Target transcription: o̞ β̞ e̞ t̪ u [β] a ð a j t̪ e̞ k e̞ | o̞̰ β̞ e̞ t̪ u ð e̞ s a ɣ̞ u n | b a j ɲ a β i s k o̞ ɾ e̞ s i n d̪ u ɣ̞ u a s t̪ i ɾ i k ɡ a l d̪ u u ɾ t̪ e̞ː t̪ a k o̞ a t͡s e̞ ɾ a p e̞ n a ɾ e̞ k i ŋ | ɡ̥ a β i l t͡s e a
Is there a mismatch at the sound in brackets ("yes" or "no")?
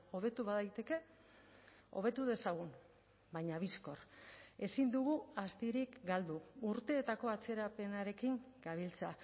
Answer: no